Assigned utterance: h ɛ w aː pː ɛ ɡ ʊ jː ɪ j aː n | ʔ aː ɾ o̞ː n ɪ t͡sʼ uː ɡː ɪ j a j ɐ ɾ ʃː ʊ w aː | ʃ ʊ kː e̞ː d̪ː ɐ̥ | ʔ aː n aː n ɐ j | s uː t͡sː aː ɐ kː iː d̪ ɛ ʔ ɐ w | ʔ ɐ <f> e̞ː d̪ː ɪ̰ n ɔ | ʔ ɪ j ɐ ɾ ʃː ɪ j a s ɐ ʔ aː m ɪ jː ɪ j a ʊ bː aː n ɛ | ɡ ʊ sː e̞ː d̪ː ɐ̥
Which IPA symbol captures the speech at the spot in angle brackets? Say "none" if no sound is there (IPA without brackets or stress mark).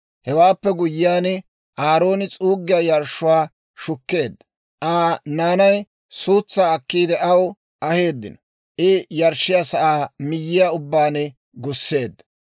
h